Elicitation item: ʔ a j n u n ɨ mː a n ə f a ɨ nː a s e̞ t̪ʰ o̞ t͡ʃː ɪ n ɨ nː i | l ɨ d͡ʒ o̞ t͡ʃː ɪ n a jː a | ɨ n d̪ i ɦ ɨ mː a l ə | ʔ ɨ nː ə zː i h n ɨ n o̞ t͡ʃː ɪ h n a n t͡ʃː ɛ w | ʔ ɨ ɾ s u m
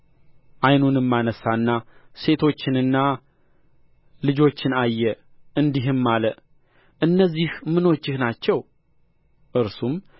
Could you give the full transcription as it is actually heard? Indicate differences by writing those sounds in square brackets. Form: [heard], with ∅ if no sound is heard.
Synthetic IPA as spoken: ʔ a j n u n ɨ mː a n ə [s] a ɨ nː a s e̞ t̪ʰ o̞ t͡ʃː ɪ n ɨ nː [a] | l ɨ d͡ʒ o̞ t͡ʃː ɪ n a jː [ɛ] | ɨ n d̪ i ɦ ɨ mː a l ə | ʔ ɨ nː ə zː i h [m] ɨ n o̞ t͡ʃː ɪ h n a [∅] t͡ʃː ɛ w | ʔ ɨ ɾ s u m